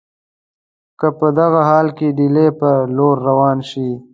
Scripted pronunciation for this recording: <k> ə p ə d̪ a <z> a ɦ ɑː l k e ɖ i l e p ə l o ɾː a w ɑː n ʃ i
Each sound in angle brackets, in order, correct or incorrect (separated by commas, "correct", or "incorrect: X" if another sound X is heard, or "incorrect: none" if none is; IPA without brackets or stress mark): correct, incorrect: ɣ